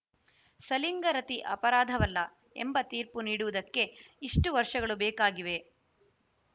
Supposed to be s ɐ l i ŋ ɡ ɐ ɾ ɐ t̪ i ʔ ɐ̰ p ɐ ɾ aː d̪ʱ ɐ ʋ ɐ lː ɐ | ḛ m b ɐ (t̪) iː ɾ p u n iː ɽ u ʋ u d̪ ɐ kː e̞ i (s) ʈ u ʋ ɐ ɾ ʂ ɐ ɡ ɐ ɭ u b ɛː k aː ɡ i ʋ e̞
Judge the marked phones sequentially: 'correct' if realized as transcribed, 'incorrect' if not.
correct, incorrect: ʂ

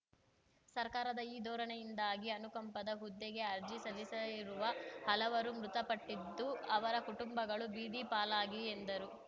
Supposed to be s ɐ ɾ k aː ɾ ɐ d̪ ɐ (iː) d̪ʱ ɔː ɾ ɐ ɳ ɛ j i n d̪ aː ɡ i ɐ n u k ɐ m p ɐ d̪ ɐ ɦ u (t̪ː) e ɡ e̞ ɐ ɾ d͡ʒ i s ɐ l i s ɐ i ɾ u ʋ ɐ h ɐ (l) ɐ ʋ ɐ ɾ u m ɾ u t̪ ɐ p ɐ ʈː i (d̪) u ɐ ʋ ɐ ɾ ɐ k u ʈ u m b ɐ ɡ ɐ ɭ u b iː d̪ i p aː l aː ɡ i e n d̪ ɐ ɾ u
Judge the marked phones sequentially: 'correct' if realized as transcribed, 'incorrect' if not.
correct, incorrect: d̪ː, correct, incorrect: d̪ː

